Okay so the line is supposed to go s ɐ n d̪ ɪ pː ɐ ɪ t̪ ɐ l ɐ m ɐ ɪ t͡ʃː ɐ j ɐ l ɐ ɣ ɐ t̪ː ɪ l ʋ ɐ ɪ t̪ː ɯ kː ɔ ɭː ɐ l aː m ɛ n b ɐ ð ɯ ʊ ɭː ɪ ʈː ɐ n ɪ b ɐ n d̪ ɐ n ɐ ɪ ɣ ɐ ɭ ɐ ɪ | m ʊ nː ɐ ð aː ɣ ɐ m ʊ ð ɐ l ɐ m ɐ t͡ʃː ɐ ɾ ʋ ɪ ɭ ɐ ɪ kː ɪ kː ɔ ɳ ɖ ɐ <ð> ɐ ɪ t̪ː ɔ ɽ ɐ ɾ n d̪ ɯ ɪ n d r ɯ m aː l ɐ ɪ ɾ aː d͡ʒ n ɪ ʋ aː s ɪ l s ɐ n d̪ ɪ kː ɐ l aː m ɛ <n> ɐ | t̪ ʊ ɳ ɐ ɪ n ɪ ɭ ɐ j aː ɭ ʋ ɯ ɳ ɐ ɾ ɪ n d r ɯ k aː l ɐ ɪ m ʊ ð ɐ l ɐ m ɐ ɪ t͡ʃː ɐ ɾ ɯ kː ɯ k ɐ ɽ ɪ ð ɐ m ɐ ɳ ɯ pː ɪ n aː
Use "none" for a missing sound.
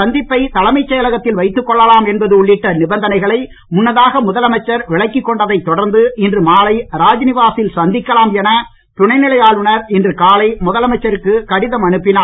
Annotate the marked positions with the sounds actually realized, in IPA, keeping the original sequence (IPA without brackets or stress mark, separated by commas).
ð, n